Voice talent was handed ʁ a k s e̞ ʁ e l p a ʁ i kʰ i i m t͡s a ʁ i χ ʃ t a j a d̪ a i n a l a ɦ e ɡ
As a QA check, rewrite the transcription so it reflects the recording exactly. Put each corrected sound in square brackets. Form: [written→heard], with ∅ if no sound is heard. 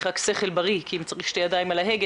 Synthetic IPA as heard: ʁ a k s e̞ [ʁ→χ] e l [p→b] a ʁ i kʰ i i m t͡s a ʁ i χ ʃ t [a→e] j a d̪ a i [n→m] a l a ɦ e ɡ